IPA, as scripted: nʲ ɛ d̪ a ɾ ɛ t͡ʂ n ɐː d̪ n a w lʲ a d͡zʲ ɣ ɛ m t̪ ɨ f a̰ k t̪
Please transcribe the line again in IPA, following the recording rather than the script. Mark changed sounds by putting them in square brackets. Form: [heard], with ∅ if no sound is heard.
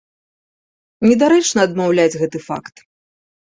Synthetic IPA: nʲ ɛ d̪ a ɾ ɛ t͡ʂ n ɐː d̪ [m] a w lʲ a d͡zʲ ɣ ɛ [∅] t̪ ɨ f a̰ k t̪